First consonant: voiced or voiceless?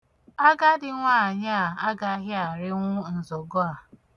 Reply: voiced